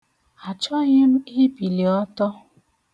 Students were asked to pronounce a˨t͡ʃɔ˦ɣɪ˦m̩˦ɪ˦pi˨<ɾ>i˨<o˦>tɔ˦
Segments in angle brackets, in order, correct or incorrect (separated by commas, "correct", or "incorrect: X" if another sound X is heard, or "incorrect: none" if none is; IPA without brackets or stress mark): incorrect: l, incorrect: ɔ˦